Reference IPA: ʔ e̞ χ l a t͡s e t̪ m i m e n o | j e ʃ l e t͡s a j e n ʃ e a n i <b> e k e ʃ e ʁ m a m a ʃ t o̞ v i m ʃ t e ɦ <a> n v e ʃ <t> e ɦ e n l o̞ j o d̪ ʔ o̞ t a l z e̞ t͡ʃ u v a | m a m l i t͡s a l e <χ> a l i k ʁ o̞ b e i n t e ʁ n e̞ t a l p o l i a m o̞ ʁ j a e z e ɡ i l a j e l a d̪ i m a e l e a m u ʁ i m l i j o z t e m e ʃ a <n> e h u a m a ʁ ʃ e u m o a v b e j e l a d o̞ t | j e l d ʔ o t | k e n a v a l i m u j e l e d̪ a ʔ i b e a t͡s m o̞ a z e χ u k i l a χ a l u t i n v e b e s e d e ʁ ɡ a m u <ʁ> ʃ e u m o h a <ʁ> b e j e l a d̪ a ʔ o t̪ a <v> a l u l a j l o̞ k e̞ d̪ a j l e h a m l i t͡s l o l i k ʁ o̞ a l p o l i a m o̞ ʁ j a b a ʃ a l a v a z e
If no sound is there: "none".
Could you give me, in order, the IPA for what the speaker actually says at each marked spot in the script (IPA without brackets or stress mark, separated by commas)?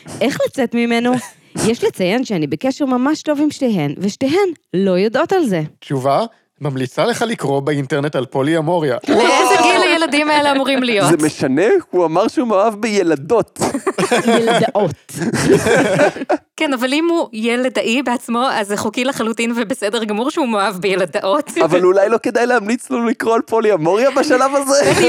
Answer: b, e, t, χ, n, ʁ, v, v